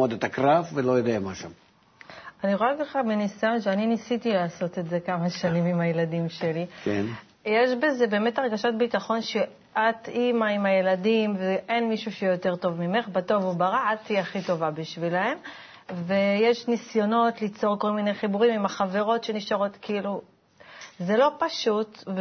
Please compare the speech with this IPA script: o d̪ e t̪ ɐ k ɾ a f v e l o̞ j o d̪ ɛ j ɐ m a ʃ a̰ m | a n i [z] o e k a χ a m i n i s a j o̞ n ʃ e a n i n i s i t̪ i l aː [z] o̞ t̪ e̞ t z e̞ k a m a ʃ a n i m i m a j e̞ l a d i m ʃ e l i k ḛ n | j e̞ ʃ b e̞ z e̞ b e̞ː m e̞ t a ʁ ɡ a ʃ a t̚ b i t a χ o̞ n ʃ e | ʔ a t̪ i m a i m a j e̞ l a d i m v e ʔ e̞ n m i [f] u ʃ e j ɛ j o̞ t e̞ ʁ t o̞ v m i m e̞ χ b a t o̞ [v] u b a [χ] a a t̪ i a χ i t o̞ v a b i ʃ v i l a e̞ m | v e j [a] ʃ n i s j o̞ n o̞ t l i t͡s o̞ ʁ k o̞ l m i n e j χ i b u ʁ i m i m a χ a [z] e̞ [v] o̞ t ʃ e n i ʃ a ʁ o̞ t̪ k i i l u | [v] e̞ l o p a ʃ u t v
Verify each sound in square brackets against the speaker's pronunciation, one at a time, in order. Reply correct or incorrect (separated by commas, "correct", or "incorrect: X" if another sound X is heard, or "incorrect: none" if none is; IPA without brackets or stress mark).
incorrect: ʁ, incorrect: s, incorrect: ʃ, correct, incorrect: ʁ, incorrect: e, incorrect: v, incorrect: ʁ, incorrect: z